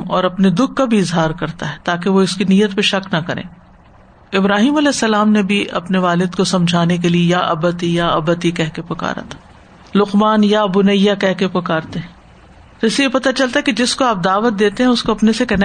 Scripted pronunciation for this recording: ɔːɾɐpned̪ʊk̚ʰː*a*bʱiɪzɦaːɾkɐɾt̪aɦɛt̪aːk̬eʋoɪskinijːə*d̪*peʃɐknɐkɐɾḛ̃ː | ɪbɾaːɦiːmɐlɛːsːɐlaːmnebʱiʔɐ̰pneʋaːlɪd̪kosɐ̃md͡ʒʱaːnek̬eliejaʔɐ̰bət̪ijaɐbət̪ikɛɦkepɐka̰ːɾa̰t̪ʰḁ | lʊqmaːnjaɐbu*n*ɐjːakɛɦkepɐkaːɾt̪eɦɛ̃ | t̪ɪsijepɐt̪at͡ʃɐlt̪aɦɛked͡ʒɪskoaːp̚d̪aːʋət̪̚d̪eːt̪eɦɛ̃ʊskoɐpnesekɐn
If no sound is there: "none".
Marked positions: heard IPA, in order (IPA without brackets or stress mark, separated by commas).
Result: a, t̪, n